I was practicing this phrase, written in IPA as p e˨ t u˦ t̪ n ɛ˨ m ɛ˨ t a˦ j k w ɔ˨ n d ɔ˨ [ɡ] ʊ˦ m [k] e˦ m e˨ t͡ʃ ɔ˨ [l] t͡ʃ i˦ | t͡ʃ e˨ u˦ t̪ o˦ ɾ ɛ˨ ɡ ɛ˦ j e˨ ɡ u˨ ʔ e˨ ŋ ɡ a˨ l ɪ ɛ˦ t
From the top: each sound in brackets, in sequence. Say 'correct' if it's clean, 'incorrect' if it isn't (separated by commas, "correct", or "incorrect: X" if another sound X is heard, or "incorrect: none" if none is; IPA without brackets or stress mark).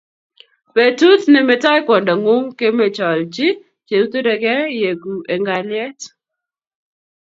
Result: incorrect: ŋ, correct, correct